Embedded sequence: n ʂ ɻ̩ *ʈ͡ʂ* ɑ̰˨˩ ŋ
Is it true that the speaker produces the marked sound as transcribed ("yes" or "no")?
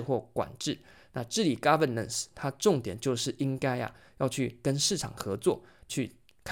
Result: no